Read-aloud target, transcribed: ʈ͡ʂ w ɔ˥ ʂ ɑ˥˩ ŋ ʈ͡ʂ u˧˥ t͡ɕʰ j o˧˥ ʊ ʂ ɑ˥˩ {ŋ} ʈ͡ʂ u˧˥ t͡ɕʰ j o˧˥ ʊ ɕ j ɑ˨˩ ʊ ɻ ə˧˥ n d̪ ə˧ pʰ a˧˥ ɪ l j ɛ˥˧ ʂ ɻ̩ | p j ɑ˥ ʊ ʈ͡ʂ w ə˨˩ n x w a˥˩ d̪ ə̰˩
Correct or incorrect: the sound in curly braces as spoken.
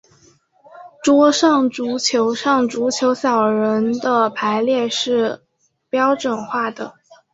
correct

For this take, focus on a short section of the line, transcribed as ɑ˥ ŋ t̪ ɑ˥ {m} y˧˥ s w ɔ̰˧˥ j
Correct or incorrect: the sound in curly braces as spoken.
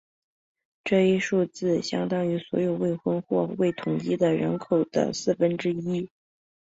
incorrect: ŋ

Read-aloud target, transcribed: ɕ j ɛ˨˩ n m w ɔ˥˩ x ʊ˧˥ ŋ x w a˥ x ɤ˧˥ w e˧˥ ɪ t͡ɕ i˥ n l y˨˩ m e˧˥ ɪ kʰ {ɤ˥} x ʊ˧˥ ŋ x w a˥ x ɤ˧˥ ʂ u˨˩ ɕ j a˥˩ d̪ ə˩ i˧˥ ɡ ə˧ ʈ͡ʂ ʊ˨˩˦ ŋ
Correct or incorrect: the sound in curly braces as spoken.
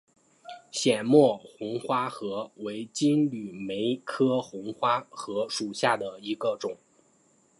correct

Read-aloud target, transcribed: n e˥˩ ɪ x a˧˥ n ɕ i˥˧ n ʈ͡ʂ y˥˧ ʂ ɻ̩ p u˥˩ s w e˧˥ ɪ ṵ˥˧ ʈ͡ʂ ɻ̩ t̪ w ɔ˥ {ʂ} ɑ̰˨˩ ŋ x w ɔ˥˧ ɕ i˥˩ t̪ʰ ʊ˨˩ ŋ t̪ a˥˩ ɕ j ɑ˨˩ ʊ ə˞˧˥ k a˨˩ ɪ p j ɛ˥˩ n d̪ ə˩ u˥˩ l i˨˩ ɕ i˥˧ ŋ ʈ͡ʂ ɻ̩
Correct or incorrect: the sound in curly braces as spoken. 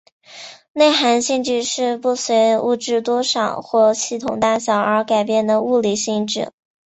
correct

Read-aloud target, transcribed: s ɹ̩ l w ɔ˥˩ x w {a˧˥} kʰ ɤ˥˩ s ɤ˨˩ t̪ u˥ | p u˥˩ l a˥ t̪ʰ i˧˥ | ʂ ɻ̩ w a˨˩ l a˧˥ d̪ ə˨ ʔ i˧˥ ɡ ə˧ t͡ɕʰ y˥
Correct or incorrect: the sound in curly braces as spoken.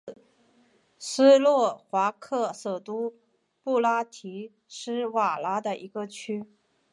correct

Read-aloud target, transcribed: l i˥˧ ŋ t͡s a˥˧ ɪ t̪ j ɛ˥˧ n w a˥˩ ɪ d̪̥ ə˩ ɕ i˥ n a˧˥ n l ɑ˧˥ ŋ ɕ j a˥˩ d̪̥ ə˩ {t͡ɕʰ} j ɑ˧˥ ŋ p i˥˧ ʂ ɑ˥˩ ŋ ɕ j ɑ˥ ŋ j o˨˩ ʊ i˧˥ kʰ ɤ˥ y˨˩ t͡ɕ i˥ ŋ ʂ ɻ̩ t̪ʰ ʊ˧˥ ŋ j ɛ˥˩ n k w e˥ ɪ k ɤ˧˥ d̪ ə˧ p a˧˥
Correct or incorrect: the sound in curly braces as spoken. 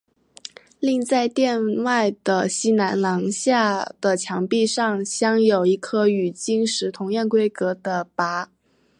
correct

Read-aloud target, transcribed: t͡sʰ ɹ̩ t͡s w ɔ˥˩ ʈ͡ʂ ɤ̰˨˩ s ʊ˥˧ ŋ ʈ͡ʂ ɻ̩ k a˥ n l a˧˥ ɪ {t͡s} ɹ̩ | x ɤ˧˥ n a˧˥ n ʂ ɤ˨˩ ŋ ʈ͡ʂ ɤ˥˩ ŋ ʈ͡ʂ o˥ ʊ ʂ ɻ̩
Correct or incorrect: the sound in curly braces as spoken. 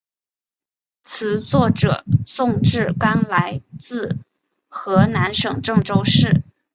correct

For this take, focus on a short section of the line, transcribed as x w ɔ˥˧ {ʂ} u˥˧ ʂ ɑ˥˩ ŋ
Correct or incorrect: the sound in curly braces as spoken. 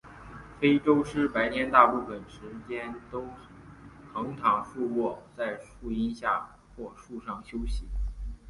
correct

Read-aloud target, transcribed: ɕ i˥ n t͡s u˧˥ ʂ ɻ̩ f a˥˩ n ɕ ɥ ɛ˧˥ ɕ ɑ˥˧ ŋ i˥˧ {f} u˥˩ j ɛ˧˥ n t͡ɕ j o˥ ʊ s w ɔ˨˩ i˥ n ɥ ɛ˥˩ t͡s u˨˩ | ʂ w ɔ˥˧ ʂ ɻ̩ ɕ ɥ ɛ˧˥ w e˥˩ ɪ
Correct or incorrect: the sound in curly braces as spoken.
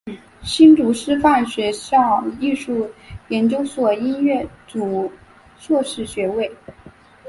incorrect: ʂ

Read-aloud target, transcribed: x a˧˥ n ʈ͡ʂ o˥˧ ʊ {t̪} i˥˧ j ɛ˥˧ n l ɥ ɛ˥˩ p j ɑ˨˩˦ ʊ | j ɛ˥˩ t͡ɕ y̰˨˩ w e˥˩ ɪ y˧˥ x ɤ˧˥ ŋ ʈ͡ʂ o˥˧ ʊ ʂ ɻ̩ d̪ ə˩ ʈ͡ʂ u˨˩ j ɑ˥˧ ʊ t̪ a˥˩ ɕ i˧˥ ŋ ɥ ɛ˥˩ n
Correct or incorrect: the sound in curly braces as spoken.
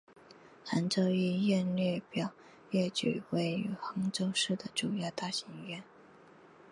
incorrect: none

